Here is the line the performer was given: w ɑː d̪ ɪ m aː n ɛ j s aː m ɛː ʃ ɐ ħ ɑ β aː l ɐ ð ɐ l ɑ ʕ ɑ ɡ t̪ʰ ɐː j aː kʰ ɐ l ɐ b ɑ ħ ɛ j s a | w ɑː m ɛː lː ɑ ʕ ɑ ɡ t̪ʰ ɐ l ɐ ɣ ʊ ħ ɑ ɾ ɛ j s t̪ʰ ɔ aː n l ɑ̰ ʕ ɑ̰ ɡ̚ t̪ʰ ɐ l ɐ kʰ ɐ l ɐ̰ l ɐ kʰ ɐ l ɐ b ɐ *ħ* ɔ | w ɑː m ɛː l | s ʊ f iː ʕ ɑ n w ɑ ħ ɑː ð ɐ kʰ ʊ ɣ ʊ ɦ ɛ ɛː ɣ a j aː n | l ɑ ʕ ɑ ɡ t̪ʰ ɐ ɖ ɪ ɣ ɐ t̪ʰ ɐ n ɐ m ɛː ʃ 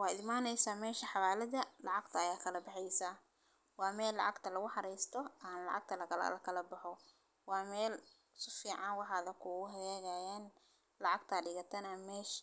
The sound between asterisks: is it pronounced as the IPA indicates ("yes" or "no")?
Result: yes